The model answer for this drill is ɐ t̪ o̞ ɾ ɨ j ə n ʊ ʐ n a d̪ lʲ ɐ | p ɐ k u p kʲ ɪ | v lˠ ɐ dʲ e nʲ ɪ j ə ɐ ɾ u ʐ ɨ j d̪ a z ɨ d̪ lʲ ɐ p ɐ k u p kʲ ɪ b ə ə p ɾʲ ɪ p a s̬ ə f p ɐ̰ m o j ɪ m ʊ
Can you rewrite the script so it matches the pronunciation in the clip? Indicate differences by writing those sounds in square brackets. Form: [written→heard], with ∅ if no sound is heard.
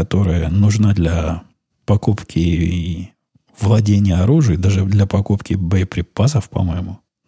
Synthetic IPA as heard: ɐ t̪ o̞ ɾ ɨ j ə n ʊ ʐ n a d̪ lʲ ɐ | p ɐ k u p kʲ ɪ | v lˠ ɐ dʲ e nʲ ɪ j ə ɐ ɾ u ʐ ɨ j d̪ a [z→ʐ] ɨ d̪ lʲ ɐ p ɐ k u p kʲ ɪ b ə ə p ɾʲ ɪ p a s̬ ə f p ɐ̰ m o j ɪ m ʊ